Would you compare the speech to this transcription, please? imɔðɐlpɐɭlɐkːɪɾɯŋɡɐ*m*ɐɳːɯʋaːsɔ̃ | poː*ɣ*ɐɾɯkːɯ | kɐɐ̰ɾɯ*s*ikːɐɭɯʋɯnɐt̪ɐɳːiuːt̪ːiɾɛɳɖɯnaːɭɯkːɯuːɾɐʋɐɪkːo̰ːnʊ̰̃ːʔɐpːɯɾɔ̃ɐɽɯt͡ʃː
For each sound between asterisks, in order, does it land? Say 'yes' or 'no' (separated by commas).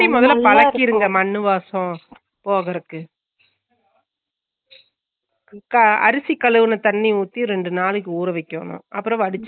yes, yes, yes